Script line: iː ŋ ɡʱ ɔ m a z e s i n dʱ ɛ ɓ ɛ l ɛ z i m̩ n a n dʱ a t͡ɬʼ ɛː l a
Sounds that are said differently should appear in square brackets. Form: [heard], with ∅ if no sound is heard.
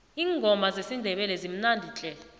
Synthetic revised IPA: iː ŋ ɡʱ ɔ m a z e s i n dʱ ɛ ɓ ɛ l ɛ z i m̩ n a n dʱ [i] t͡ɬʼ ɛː l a